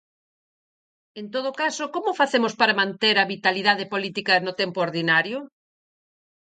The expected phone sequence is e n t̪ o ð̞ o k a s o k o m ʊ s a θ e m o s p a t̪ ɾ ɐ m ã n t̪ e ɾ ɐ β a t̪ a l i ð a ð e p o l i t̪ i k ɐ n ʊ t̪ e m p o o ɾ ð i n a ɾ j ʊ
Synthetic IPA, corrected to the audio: e n t̪ o ð̞ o k a s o k o m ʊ f a θ e m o s p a ɾ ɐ m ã n t̪ e ɾ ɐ β i t̪ a l i ð a ð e p o l i t̪ i k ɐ n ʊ t̪ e m p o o ɾ ð i n a ɾ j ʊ